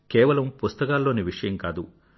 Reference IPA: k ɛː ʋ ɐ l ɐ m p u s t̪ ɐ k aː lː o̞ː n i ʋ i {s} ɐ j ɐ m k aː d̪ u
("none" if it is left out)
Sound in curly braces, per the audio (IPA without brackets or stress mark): ʂ